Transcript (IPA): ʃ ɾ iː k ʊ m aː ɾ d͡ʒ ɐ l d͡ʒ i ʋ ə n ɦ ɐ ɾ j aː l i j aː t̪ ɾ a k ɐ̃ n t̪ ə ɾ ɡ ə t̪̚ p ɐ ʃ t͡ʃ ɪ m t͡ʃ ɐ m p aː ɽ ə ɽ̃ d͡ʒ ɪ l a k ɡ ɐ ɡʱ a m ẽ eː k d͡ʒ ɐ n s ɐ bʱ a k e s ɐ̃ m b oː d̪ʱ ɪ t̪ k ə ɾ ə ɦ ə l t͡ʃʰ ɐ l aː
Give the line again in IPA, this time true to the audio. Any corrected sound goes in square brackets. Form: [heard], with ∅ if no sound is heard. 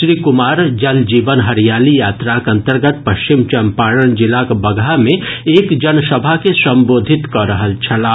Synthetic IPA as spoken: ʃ ɾ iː k ʊ m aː ɾ d͡ʒ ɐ l d͡ʒ [iː] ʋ ə n ɦ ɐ ɾ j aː l i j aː t̪ ɾ a k ɐ̃ n t̪ ə ɾ ɡ ə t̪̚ p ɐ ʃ t͡ʃ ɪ m t͡ʃ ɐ m p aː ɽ ə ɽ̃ d͡ʒ ɪ l a k [b] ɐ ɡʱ a m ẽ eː k d͡ʒ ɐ n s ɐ bʱ a k e s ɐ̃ m b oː d̪ʱ ɪ t̪ k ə ɾ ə ɦ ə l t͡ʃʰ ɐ l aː